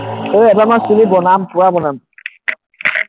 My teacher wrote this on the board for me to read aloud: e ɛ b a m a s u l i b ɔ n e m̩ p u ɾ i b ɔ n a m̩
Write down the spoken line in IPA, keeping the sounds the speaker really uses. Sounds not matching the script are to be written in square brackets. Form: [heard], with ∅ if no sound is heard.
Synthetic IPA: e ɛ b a m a s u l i b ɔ n [a] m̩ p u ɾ [a] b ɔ n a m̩